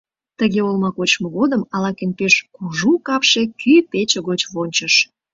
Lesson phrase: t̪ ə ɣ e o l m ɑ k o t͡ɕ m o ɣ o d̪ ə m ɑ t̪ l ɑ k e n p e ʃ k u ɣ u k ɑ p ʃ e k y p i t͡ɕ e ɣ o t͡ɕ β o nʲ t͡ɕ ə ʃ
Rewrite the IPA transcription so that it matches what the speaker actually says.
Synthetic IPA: t̪ ə ɣ e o l m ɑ k o t͡ɕ m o ɣ o d̪ ə m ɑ l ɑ k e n p e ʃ k u ʒ u k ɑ p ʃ e k y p e t͡ɕ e ɣ o t͡ɕ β o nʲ t͡ɕ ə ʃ